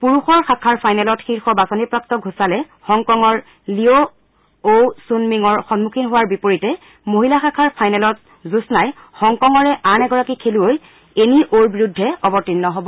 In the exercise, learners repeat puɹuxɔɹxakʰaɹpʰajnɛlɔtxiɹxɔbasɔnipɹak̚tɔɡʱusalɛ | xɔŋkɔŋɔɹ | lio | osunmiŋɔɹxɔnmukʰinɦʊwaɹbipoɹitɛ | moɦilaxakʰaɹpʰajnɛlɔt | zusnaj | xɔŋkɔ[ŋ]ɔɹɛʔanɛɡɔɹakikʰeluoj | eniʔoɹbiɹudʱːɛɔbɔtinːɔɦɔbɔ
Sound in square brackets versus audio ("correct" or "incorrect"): correct